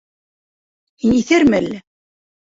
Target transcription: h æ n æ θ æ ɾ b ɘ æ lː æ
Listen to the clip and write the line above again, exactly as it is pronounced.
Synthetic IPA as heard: h i n i θ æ ɾ m ɘ æ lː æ

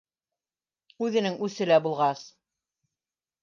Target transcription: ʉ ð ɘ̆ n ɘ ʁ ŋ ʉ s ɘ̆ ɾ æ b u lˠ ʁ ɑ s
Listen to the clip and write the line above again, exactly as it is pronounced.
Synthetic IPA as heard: ʉ ð ɘ̆ n ɘ ŋ ʉ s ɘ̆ l æ b u lˠ ʁ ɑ s

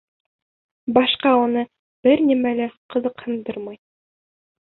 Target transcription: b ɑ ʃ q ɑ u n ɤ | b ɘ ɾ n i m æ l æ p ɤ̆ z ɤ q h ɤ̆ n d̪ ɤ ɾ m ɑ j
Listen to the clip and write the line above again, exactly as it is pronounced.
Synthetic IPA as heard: b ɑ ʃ q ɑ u n ɤ | b ɘ ɾ n i m æ l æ q ɤ̆ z ɤ q h ɤ̆ n d̪ ɤ ɾ m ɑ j

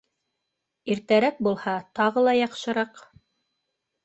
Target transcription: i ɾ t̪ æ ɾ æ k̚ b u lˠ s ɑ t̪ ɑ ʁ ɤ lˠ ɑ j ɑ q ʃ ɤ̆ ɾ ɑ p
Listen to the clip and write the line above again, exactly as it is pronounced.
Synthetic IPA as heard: i ɾ t̪ æ ɾ æ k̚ b u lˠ h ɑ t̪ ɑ ʁ ɤ lˠ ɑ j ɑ q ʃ ɤ̆ ɾ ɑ q

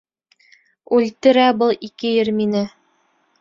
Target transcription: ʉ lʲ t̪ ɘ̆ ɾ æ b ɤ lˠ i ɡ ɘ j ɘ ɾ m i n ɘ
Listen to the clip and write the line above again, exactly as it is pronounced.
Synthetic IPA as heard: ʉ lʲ t̪ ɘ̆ ɾ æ b ɤ lˠ i k ɘ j ɘ ɾ m i n ɘ

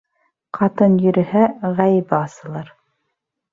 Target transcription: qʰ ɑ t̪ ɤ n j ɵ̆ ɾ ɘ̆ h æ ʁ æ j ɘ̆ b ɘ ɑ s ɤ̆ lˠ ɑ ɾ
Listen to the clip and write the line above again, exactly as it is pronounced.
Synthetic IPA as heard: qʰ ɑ t̪ ɤ n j ɵ̆ ɾ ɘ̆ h æ ʁ æ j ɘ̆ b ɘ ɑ s ɤ̆ lˠ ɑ ɾ

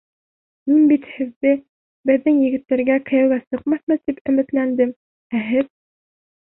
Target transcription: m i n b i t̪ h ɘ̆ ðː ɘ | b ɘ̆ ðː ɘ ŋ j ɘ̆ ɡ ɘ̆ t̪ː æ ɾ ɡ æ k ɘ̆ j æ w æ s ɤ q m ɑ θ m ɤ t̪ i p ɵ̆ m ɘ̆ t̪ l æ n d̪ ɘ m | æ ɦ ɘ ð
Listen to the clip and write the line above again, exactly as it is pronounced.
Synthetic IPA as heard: m i n b i t̪ h ɘ̆ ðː ɘ | b ɘ̆ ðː ɘ ŋ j ɘ̆ ɡ ɘ̆ t̪ː æ ɾ ɡ æ k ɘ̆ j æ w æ s ɤ q m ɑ θ m ɤ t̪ i p ɵ̆ m ɘ̆ t̪ l æ n d̪ ɘ m | æ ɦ ɘ ð

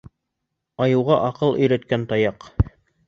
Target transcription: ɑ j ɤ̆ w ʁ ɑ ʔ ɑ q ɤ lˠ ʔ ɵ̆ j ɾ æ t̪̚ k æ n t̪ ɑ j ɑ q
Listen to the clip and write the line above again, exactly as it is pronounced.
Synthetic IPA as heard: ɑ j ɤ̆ w ʁ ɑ ʔ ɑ q ɤ lˠ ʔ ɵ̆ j ɾ æ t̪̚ k æ n t̪ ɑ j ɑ q

